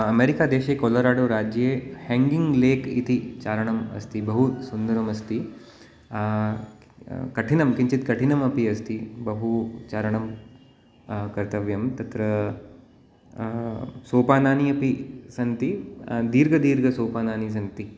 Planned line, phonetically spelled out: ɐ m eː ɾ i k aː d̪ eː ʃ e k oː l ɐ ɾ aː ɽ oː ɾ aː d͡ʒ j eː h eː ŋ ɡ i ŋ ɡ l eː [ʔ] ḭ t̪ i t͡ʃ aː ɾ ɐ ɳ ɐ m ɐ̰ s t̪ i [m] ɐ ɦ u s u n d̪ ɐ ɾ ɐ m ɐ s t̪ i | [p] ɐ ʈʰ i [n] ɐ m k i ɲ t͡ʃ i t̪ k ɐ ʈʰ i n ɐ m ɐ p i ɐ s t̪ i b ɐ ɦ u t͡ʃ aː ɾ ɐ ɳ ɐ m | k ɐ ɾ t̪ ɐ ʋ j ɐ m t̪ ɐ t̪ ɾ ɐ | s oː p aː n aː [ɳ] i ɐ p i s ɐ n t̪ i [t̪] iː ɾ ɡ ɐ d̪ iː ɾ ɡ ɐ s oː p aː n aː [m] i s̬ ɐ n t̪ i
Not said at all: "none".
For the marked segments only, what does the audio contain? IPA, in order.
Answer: k, b, k, n, n, d̪, n

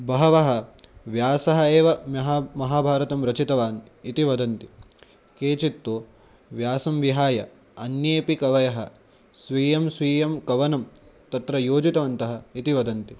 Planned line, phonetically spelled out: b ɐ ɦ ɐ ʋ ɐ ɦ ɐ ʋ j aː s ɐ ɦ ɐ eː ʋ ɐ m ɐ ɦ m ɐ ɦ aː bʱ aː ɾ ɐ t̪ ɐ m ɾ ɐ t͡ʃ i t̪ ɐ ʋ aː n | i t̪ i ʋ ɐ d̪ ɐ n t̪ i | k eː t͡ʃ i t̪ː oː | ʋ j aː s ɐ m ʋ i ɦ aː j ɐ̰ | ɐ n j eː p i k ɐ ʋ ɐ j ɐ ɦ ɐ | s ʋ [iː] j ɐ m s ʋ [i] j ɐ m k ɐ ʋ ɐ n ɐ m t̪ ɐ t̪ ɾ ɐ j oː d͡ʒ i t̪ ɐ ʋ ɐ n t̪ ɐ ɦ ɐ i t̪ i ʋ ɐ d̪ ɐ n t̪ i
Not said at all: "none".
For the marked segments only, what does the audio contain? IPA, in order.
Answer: iː, iː

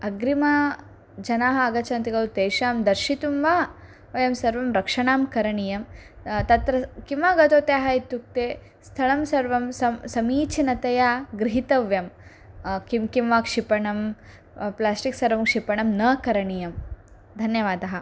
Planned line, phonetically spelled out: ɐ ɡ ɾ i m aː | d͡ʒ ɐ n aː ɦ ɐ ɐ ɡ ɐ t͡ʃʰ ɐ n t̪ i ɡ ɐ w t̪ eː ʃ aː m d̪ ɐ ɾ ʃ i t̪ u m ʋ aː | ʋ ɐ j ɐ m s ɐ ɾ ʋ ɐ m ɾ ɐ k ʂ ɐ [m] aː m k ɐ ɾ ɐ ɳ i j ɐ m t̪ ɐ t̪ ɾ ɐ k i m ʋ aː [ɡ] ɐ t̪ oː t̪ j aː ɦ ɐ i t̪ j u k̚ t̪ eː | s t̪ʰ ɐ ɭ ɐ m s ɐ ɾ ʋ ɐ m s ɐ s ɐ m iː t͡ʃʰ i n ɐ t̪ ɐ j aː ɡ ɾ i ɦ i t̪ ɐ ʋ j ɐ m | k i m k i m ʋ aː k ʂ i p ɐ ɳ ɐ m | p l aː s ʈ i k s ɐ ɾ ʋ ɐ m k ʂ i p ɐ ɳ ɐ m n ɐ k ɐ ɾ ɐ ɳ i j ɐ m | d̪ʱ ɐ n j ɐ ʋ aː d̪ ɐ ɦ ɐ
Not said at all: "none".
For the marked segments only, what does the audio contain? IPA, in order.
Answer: ɳ, ɡ

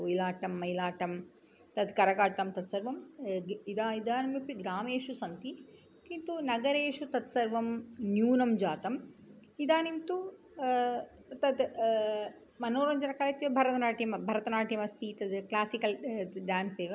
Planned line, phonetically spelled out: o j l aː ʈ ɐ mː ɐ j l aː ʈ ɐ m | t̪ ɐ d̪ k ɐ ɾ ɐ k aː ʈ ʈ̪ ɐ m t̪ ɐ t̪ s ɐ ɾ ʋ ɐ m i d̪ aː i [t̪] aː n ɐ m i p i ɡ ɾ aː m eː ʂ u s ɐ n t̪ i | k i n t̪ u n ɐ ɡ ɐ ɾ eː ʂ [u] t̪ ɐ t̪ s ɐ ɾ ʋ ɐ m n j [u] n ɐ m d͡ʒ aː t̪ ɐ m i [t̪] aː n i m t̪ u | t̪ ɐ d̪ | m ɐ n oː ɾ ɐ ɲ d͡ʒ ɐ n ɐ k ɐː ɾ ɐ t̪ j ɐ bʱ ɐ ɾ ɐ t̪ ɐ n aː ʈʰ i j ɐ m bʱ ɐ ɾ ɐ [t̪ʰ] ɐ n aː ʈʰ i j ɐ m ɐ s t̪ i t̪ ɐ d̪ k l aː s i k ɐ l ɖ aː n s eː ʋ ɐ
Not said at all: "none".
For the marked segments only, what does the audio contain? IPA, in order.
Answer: d̪, u, uː, d̪, t̪

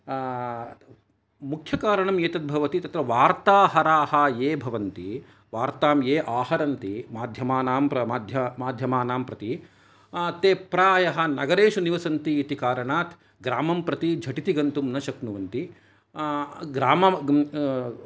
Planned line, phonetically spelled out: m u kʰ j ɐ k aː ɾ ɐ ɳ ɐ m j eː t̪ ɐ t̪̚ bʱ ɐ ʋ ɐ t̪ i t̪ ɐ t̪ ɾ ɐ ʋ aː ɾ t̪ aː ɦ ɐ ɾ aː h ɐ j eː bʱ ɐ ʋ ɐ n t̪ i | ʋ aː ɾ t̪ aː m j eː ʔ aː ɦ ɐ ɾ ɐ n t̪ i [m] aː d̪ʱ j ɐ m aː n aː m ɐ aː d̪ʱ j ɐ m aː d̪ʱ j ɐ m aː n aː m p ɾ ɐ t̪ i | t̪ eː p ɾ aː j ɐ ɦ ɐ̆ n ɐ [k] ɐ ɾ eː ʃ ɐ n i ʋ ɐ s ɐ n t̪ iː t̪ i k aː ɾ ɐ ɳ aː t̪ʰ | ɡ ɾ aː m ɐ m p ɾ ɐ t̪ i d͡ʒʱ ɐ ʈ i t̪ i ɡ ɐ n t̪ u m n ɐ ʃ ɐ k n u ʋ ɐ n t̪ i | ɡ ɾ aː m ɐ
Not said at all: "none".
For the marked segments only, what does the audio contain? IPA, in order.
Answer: m, ɡ

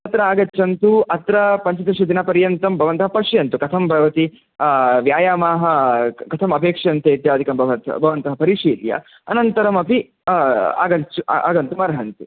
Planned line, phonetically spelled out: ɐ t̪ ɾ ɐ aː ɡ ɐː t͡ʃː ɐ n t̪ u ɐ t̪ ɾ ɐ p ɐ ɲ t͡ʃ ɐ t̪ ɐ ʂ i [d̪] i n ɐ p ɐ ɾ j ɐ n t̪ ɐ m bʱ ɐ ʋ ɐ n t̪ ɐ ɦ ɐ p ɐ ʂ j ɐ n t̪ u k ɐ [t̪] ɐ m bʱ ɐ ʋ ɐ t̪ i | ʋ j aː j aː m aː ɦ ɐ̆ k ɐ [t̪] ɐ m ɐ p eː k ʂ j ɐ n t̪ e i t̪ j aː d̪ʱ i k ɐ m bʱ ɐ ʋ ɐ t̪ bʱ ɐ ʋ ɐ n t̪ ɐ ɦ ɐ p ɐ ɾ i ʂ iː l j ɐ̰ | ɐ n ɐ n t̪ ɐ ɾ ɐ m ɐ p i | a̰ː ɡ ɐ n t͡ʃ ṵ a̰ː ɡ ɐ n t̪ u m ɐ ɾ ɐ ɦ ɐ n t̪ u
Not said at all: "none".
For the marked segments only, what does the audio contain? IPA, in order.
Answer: d̪, t̪ʰ, t̪ʰ

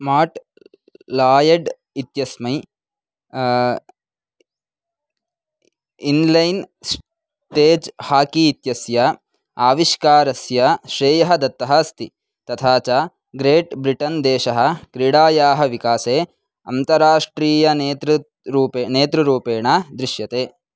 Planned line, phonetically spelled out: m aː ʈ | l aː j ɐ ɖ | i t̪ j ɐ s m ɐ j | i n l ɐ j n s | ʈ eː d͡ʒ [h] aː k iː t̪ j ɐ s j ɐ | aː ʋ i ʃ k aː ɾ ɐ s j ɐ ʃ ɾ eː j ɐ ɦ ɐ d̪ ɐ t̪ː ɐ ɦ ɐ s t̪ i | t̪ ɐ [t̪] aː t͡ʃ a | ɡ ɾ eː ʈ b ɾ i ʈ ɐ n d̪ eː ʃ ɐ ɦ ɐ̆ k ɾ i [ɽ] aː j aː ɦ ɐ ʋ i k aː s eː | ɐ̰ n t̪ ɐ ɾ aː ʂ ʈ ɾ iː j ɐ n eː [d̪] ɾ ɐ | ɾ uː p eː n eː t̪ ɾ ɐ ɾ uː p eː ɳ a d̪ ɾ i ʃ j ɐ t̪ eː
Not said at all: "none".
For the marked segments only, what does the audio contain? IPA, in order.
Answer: h, t̪ʰ, ɽ, t̪

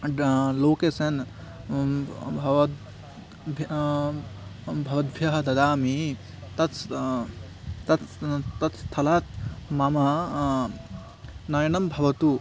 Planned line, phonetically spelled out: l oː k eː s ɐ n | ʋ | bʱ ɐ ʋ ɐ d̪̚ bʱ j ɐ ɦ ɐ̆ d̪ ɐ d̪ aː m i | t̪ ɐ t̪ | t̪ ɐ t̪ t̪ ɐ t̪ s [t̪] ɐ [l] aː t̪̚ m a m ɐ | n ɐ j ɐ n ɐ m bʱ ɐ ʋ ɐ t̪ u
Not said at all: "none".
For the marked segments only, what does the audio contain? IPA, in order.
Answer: t̪ʰ, l

